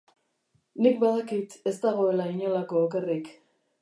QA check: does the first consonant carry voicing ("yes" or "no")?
yes